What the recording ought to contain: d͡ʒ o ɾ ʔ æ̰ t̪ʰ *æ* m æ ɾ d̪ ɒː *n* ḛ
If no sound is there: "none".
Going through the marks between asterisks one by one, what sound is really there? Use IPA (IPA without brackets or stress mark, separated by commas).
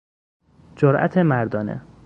e, n